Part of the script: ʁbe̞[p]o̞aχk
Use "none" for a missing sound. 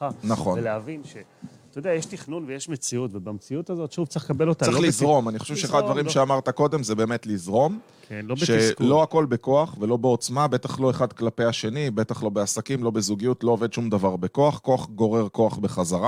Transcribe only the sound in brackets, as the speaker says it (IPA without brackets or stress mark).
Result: k